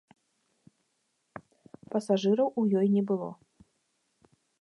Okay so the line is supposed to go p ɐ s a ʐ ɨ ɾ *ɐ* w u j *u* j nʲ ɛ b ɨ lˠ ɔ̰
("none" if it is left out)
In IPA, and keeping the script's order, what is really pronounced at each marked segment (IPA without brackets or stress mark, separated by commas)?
ɐ, ɔ